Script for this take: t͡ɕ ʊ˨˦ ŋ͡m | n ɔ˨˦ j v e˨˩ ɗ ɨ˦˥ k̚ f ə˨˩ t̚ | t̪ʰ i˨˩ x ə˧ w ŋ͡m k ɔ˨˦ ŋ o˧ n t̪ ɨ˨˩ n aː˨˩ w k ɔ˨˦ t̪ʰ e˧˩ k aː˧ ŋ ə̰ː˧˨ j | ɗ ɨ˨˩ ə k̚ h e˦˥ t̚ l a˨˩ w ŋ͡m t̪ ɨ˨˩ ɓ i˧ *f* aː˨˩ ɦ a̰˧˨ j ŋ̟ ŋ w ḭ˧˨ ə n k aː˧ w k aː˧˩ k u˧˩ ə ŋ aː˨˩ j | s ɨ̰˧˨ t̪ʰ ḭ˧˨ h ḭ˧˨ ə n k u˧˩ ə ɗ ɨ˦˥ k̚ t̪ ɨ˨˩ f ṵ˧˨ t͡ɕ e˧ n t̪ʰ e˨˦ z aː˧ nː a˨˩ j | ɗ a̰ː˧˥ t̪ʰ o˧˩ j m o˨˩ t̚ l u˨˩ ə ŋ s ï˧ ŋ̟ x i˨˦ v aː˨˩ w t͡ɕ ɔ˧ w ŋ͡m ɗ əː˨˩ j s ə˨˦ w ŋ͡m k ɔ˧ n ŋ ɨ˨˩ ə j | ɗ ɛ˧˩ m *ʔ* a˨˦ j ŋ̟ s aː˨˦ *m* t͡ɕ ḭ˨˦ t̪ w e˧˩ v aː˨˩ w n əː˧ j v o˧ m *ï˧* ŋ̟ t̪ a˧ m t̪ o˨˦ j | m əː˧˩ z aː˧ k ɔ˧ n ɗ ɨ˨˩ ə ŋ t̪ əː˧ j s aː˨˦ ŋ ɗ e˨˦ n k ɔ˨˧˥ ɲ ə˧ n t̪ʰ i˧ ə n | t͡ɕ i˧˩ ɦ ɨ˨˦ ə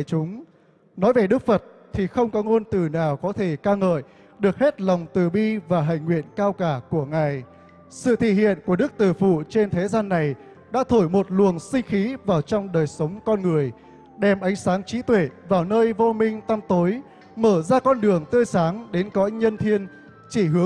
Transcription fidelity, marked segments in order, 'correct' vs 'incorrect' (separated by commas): incorrect, correct, incorrect, correct